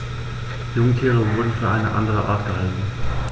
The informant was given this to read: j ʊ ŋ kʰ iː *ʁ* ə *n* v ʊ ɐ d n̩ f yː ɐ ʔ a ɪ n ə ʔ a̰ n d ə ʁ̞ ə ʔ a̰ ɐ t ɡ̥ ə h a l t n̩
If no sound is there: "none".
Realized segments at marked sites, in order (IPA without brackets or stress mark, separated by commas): ʁ, none